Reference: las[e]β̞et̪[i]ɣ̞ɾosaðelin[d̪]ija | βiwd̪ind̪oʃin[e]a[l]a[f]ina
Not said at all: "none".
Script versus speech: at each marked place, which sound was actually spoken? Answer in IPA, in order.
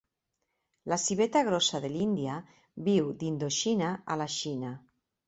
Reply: i, a, d̪, a, l, ʃ

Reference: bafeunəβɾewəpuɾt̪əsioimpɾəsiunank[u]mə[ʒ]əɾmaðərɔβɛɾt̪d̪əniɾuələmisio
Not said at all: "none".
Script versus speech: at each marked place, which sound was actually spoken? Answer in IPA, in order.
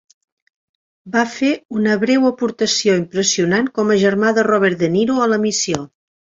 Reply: ɔ, ʒ

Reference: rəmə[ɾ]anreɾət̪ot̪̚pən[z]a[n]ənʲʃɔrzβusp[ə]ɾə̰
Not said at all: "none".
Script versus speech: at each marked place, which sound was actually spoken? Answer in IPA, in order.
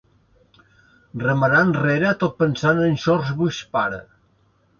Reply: ɾ, s, n, a

